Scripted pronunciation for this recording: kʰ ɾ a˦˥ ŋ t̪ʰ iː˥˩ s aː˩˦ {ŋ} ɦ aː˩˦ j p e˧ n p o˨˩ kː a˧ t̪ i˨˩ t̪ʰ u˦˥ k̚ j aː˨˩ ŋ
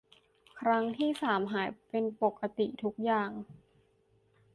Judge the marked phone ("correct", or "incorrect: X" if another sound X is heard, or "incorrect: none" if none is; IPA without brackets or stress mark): incorrect: m